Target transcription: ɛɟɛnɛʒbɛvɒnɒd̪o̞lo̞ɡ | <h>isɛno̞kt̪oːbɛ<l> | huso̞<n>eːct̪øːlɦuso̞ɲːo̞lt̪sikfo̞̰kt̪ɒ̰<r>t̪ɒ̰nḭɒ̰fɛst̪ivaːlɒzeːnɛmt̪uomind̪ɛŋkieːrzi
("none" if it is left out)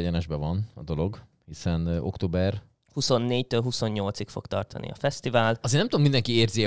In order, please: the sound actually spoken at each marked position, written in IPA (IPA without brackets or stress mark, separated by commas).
h, r, nː, r